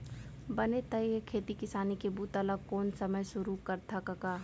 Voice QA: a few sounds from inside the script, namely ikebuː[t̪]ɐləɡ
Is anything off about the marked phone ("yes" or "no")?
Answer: no